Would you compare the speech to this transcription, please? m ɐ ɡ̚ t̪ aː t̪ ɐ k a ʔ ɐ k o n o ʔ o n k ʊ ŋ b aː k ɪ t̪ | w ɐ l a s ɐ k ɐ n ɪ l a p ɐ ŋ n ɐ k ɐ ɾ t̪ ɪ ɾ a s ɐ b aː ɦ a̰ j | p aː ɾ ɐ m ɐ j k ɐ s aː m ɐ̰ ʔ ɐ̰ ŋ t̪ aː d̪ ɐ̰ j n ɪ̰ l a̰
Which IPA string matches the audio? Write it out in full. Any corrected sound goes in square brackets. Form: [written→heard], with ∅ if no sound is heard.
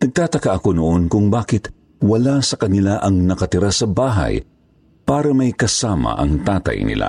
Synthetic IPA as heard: [m→n] ɐ ɡ̚ t̪ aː t̪ ɐ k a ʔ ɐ k o n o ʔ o n k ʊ ŋ b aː k ɪ t̪ | w ɐ l a s ɐ k ɐ n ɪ l a [p→ʔ] ɐ ŋ n ɐ k ɐ [ɾ→∅] t̪ ɪ ɾ a s ɐ b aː ɦ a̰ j | p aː ɾ ɐ m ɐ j k ɐ s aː m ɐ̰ ʔ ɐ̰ ŋ t̪ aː [d̪→t̪] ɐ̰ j n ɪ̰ l a̰